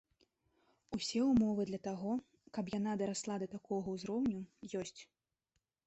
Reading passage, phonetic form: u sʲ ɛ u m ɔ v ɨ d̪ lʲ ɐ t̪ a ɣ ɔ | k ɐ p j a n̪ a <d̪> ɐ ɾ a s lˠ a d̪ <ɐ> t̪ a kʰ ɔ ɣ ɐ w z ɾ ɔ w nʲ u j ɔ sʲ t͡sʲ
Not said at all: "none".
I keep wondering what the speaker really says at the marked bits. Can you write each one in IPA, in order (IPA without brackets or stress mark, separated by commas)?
d̪, ɐ